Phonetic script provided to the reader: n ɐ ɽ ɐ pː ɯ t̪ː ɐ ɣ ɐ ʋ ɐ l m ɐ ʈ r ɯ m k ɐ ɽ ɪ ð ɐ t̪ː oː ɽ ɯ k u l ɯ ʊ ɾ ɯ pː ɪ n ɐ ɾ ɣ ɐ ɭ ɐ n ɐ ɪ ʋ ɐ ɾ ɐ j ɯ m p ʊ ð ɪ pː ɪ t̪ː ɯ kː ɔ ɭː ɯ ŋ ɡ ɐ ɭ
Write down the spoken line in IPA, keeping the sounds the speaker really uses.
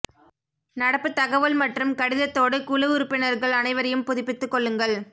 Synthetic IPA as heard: n ɐ ɽ ɐ pː ɯ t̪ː ɐ ɣ ɐ ʋ ɐ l m ɐ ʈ r ɯ m k ɐ ɽ ɪ ð ɐ t̪ː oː ɽ ɯ k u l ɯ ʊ ɾ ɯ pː ɪ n ɐ ɾ ɣ ɐ ɭ ɐ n ɐ ɪ ʋ ɐ ɾ ɐ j ɯ m p ʊ ð ɪ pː ɪ t̪ː ɯ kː ɔ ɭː ɯ ŋ ɡ ɐ ɭ